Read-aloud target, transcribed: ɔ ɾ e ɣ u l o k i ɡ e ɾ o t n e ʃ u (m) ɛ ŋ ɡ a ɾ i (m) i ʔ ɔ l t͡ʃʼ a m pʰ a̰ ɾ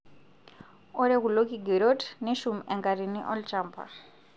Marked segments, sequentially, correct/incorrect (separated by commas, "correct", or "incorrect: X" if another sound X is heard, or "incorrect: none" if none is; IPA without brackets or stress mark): correct, incorrect: n